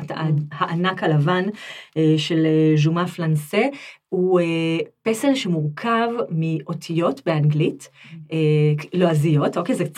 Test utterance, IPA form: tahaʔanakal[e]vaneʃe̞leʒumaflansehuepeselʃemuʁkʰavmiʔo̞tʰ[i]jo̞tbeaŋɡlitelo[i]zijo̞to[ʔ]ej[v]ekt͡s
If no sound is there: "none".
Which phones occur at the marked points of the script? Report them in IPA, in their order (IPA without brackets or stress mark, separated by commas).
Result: a, i, a, k, z